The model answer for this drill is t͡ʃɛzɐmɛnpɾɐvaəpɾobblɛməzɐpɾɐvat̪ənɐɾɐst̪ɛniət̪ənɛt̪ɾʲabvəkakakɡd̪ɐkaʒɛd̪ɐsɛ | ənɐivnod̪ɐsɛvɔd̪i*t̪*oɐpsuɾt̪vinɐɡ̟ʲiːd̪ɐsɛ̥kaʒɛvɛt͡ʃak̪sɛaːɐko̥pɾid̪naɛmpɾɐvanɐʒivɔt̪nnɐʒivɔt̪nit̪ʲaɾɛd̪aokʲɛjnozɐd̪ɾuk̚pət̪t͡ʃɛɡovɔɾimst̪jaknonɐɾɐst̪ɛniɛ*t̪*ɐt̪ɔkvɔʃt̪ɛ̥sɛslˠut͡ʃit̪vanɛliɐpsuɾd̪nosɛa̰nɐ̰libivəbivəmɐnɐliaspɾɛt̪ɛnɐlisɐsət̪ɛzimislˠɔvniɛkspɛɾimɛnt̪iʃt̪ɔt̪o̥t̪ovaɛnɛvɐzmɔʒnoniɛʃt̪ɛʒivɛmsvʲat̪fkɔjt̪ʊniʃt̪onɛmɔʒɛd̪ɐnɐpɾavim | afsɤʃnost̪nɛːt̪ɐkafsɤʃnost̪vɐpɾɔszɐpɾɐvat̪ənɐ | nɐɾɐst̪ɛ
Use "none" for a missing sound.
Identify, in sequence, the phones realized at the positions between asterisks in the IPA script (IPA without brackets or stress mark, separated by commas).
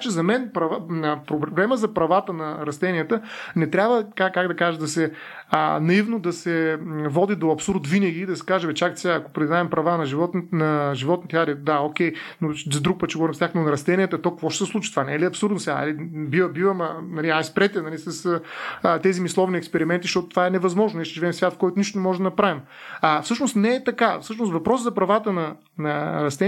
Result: d̪, t̪